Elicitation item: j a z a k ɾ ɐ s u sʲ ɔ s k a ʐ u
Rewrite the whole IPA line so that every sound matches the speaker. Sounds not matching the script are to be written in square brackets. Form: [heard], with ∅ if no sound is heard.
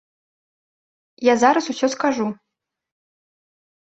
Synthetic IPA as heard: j a z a [∅] ɾ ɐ s u sʲ ɔ s k a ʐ u